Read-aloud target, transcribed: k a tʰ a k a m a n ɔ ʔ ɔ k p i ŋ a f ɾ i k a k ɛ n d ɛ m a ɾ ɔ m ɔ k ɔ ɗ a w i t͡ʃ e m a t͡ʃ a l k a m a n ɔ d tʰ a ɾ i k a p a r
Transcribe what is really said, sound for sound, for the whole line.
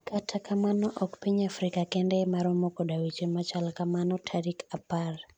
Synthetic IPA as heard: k a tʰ a k a m a n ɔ ʔ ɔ k p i ɲ a f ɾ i k a k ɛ n d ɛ m a ɾ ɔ m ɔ k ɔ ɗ a w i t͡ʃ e m a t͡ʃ a l k a m a n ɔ tʰ a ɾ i k a p a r